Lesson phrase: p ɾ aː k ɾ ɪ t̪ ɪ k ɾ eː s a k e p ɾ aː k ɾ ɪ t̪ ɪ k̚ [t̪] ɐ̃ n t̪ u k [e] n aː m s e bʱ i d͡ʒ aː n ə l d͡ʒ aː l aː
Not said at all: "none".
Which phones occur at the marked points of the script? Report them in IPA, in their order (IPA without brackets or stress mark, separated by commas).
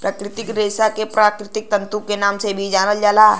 t̪, e